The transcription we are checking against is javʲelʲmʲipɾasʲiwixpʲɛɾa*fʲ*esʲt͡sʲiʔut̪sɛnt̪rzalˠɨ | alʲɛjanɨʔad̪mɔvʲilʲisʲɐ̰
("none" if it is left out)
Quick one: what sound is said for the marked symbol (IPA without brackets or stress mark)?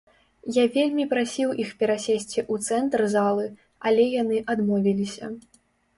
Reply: sʲ